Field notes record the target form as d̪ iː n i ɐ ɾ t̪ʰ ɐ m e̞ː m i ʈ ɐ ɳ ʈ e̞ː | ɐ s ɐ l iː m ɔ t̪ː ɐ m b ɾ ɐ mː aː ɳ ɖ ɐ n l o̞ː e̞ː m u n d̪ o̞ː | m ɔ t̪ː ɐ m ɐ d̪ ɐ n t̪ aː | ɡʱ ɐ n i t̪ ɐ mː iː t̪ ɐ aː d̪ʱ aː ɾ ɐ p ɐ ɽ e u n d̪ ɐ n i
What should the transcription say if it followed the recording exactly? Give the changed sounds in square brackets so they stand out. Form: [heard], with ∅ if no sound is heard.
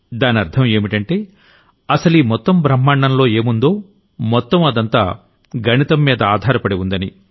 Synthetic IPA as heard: d̪ [aː] n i ɐ ɾ t̪ʰ ɐ m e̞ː m i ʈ ɐ ɳ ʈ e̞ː | ɐ s ɐ l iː m ɔ t̪ː ɐ m b ɾ ɐ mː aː ɳ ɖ ɐ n l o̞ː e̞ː m u n d̪ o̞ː | m ɔ t̪ː ɐ m ɐ d̪ ɐ n t̪ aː | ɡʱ ɐ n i t̪ ɐ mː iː [d̪] ɐ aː d̪ʱ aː ɾ ɐ p ɐ ɽ e u n d̪ ɐ n i